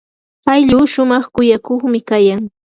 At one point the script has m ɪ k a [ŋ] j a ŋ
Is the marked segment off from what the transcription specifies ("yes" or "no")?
yes